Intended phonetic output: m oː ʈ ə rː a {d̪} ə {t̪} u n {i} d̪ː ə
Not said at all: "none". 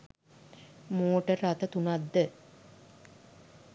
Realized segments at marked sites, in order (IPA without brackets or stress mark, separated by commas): t̪, t̪, a